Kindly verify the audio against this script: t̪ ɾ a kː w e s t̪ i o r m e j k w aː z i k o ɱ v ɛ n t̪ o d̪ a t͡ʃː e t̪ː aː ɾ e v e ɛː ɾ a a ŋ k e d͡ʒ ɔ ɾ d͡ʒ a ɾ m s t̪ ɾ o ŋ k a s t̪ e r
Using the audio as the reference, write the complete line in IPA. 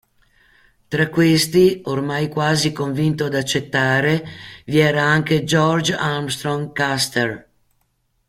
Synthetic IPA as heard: t̪ ɾ a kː w e s t̪ i o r m a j k w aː z i k o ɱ v i n t̪ o d̪ a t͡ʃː e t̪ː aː ɾ e v i ɛː ɾ a a ŋ k e d͡ʒ ɔ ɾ d͡ʒ a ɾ m s t̪ ɾ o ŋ k a s t̪ e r